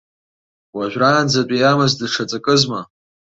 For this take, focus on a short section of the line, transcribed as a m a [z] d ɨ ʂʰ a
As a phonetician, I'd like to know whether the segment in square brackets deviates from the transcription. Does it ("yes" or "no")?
no